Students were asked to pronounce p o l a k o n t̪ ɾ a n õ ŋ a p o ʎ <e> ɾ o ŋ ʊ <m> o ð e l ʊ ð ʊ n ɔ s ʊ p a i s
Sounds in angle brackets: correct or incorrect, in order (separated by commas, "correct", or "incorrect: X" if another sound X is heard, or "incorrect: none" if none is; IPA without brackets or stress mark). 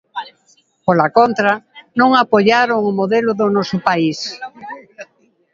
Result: incorrect: a, correct